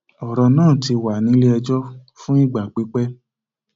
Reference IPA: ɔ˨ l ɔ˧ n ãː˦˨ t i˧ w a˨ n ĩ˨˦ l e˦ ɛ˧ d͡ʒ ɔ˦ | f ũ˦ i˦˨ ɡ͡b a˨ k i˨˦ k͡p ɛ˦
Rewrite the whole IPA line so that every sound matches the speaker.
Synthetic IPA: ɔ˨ ɾ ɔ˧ n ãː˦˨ t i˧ w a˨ n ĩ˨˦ l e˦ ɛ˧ d͡ʒ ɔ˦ | f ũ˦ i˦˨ ɡ͡b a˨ k͡p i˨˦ k͡p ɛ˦